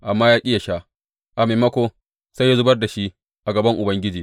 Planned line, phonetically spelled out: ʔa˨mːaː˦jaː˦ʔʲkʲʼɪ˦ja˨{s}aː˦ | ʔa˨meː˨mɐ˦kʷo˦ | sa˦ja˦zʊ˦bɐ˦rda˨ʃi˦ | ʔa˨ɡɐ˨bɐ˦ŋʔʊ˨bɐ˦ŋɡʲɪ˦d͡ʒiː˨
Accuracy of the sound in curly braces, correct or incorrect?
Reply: incorrect: ʃ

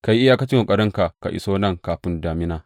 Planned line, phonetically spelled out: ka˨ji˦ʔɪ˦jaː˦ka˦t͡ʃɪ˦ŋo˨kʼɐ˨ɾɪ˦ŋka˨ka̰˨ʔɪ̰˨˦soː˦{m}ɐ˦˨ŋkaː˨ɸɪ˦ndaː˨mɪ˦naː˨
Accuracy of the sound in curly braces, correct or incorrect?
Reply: incorrect: n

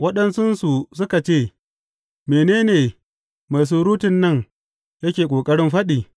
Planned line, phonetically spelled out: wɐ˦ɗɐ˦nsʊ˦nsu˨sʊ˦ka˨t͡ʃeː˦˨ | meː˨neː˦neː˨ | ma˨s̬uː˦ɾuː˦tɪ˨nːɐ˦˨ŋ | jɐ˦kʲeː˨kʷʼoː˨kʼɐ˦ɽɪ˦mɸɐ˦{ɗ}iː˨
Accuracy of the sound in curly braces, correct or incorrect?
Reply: correct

